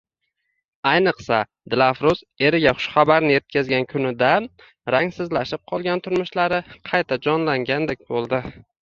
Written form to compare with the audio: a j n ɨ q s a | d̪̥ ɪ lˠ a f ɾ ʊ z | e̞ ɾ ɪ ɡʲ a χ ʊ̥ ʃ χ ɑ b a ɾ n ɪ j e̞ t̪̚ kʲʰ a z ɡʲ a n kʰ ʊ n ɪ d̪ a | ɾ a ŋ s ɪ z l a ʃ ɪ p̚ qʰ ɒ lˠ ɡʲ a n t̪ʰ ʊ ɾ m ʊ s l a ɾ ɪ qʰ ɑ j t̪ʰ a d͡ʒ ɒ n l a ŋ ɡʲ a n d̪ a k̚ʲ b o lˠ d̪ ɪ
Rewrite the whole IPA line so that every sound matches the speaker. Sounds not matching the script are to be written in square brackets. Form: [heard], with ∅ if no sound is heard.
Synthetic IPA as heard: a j n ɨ q s a | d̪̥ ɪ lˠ a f ɾ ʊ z | e̞ ɾ ɪ ɡʲ a χ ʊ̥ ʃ χ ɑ b a ɾ n ɪ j e̞ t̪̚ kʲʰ a z ɡʲ a n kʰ ʊ n ɪ d̪ a | ɾ a ŋ s ɪ z l a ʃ ɪ p̚ qʰ ɒ lˠ ɡʲ a n t̪ʰ ʊ ɾ m ʊ [ʃ] l a ɾ ɪ qʰ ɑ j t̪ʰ a d͡ʒ ɒ n l a ŋ ɡʲ a n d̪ [e] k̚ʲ b o lˠ d̪ ɪ